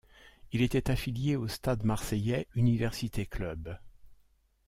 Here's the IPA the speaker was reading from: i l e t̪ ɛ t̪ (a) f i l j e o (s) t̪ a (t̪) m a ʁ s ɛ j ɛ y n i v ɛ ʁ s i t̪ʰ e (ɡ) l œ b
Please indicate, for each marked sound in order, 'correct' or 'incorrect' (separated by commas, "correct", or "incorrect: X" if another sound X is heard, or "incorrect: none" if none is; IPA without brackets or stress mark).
correct, correct, incorrect: d̪, incorrect: k